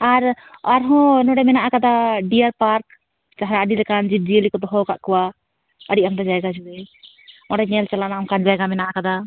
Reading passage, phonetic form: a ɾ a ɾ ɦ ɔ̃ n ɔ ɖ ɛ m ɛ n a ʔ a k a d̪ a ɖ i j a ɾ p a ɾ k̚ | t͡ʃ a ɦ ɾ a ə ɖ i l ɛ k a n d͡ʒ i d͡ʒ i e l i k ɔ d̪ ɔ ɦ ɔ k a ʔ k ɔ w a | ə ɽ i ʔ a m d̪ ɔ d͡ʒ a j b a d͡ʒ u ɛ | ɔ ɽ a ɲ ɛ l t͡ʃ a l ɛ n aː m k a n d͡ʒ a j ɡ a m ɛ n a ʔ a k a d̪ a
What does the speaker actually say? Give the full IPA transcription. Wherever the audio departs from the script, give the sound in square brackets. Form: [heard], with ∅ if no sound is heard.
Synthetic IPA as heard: a ɾ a ɾ ɦ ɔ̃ n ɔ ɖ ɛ m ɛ n a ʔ a k a d̪ a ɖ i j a ɾ p a ɾ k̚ | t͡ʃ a ɦ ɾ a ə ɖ i l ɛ k a n d͡ʒ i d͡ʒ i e l i k ɔ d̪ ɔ ɦ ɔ k a ʔ k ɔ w a | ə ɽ i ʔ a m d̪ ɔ d͡ʒ a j [ɡ] a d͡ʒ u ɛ | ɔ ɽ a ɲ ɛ l t͡ʃ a l [a] n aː m k a n d͡ʒ a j ɡ a m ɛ n a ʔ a k a d̪ a